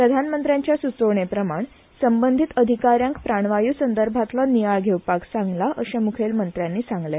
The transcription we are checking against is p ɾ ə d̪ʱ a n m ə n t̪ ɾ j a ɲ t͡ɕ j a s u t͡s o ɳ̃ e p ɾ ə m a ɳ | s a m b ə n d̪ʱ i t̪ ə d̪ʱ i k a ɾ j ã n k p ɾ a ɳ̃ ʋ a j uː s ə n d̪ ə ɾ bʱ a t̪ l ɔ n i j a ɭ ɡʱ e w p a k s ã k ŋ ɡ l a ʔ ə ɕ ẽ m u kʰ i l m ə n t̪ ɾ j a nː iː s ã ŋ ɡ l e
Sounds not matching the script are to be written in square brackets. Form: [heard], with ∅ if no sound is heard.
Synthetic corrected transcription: p ɾ ə d̪ʱ a n m ə n t̪ ɾ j a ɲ t͡ɕ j a s u t͡s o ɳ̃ e p ɾ ə m a ɳ | s [ə] m b ə n d̪ʱ i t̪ ə d̪ʱ i k a ɾ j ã [ŋ] k p ɾ a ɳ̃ ʋ a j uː s ə n d̪ ə ɾ bʱ a t̪ l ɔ n i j a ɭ ɡʱ e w p a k s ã [∅] ŋ ɡ l a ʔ ə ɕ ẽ m u kʰ [e] l m ə n t̪ ɾ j a nː iː s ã ŋ ɡ l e